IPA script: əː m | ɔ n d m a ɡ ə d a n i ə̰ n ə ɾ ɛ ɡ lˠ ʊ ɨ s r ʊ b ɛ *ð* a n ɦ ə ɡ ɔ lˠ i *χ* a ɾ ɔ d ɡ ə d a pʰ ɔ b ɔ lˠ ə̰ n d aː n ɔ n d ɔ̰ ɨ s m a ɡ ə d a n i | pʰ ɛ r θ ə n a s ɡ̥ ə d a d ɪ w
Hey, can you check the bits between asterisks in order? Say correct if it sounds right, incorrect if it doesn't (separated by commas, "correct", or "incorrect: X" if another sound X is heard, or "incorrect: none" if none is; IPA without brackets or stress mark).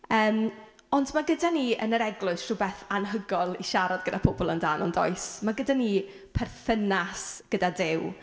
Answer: incorrect: θ, incorrect: ʃ